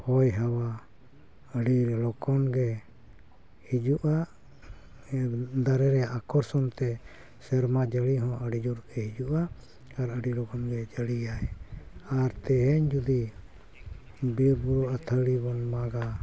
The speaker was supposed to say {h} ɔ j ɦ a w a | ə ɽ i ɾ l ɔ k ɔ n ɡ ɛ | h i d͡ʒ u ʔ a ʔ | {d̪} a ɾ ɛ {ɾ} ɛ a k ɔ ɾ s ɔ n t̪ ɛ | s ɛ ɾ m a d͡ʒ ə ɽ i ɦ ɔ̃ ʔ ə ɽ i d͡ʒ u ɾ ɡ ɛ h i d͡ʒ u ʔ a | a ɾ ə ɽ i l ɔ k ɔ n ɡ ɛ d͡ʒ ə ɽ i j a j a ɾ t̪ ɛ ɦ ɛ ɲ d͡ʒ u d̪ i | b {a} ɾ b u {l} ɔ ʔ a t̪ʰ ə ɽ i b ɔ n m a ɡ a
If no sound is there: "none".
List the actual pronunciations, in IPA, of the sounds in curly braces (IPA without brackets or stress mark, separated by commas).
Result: h, d̪, ɾ, i, ɾ